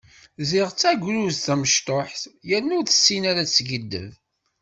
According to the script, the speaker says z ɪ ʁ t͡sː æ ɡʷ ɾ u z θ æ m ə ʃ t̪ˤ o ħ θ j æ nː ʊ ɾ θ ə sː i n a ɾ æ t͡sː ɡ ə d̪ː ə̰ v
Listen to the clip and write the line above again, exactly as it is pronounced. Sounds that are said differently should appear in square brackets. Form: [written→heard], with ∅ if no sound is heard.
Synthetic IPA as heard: z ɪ ʁ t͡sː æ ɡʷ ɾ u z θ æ m ə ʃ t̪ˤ o ħ θ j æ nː ʊ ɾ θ ə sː i n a ɾ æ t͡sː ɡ ə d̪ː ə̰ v